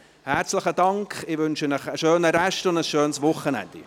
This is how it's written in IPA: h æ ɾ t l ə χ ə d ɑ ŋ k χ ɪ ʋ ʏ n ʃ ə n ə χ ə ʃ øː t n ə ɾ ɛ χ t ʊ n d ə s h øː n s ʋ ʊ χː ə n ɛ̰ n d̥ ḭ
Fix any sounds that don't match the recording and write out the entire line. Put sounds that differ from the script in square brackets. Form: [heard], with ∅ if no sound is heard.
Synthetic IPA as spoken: h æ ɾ [t͡s] l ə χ ə d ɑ ŋ k χ ɪ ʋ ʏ n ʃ ə n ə χ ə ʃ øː [∅] n ə ɾ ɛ [ʃ] t ʊ n d ə s [ʃ] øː n s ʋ ʊ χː ə n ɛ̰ n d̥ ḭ